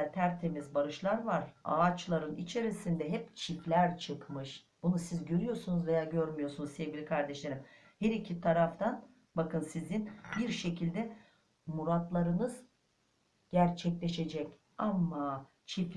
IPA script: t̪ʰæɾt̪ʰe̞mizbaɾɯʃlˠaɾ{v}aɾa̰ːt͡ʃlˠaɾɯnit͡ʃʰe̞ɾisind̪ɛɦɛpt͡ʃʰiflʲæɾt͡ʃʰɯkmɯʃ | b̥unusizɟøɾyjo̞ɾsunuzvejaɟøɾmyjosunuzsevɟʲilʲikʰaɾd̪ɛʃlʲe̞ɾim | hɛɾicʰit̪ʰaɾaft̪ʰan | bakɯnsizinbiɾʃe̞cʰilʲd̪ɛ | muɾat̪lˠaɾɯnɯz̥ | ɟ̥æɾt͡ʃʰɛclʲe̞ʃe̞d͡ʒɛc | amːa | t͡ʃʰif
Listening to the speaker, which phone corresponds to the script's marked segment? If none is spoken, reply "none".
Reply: v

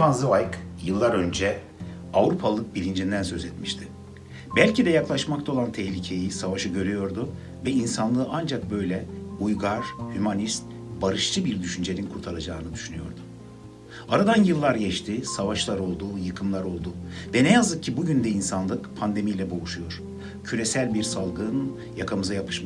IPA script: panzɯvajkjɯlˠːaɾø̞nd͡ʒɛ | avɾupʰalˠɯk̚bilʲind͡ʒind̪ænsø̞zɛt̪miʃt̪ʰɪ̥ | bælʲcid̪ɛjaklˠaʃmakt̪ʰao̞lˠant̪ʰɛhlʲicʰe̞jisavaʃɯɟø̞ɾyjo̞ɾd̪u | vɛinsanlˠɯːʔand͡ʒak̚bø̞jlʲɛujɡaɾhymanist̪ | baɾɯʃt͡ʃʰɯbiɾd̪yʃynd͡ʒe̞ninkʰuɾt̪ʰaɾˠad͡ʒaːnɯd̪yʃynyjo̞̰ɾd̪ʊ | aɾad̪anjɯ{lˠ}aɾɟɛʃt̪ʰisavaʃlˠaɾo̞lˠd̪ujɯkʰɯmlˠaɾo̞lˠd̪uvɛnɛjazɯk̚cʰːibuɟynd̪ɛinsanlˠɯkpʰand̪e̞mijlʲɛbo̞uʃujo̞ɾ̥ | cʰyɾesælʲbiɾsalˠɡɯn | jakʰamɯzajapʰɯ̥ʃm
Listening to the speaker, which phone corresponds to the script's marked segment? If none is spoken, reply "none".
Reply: lˠː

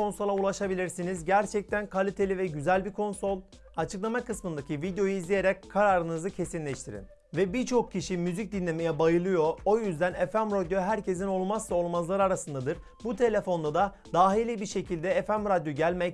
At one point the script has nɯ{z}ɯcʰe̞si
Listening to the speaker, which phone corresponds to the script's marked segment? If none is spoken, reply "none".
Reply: z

